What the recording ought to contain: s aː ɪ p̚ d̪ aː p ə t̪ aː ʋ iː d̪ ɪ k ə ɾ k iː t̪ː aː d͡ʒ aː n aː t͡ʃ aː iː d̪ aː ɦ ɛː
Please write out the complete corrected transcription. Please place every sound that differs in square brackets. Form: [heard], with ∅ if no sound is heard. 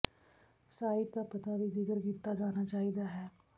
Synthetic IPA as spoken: s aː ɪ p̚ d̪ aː p ə t̪ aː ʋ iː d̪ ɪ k ə ɾ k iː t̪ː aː d͡ʒ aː n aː t͡ʃ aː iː d̪ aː ɦ ɛː